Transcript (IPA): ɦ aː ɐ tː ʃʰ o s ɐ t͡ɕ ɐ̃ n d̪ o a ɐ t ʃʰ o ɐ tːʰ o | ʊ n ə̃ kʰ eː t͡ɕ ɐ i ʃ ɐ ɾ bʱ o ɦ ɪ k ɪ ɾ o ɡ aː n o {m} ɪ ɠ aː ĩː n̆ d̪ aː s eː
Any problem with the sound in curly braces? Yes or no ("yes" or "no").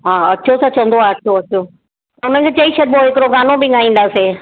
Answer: yes